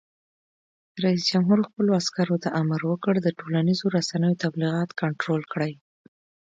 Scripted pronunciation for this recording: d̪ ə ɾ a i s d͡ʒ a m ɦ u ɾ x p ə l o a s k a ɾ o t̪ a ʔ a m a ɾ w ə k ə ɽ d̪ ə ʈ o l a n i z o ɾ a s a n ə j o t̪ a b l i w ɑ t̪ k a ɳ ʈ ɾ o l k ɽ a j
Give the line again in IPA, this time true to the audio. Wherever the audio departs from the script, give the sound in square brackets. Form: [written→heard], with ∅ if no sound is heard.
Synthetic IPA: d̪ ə ɾ a i s d͡ʒ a m ɦ u ɾ x p ə l o a s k a ɾ o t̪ a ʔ a m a ɾ w ə k ə ɽ d̪ ə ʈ o l a n i z o ɾ a s a n ə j o t̪ a b l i [w→ɣ] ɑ t̪ k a ɳ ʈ ɾ o l k ɽ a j